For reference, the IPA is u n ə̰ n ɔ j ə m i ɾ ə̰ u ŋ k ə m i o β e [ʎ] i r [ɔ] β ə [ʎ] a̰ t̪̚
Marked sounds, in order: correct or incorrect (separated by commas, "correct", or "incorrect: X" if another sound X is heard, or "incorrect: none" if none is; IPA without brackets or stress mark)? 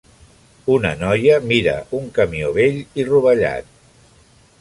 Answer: correct, incorrect: u, correct